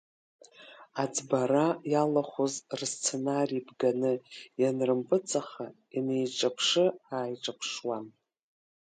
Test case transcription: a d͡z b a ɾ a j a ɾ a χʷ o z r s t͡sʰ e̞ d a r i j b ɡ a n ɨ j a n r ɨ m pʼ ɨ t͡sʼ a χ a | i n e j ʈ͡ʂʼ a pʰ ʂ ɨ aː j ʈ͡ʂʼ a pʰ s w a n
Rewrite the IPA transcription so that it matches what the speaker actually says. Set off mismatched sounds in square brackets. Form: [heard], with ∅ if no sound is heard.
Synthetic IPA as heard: a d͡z b a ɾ a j a [l] a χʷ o z r s t͡sʰ e̞ [n] a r i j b ɡ a n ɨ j a n r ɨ m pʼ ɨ t͡sʼ a χ a | i n e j ʈ͡ʂʼ a pʰ ʂ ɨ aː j ʈ͡ʂʼ a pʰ [ʂ] w a n